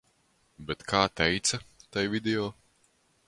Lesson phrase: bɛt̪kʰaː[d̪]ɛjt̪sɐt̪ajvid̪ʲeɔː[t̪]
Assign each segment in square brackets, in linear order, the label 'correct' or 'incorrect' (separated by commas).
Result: incorrect, incorrect